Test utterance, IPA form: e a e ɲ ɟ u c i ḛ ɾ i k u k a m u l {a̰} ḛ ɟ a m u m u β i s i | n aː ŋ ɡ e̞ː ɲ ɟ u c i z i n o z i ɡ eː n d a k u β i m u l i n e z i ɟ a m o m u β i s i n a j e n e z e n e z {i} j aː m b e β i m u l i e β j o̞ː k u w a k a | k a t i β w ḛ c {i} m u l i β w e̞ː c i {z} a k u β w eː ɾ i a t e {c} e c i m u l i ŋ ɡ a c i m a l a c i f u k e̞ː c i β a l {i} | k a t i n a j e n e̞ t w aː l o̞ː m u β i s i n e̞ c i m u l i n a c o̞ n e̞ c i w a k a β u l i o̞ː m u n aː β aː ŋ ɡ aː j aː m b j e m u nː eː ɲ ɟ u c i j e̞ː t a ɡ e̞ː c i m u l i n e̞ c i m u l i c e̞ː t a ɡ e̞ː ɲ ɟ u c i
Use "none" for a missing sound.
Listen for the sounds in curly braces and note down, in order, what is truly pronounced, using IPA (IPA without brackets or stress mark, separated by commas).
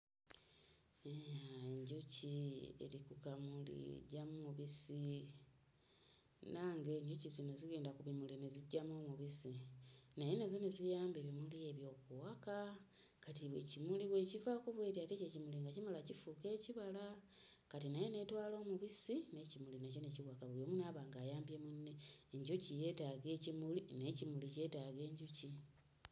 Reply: ḭ, i, i, v, c, a